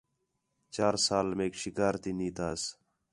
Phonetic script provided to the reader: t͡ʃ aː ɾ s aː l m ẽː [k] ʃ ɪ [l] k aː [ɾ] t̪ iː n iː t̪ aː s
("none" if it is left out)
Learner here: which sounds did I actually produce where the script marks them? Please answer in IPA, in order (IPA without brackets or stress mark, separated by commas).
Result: k, none, ɾ